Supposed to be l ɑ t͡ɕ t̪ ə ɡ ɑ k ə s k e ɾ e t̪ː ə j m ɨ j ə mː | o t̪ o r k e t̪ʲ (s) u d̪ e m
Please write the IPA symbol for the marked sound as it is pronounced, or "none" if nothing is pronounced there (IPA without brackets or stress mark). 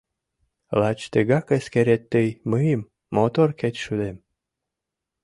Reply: ʃ